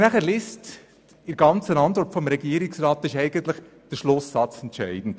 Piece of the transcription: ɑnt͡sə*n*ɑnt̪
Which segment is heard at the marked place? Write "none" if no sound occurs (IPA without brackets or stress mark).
n